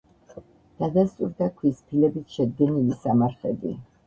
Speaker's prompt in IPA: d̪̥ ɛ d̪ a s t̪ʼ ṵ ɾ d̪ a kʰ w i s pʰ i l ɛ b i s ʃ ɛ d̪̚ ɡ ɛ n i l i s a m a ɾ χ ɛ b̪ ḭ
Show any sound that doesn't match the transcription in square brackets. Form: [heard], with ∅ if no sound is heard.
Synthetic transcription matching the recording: d̪̥ [a] d̪ a s t̪ʼ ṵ ɾ d̪ a kʰ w i s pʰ i l ɛ b i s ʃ ɛ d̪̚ ɡ ɛ n i l i s a m a ɾ χ ɛ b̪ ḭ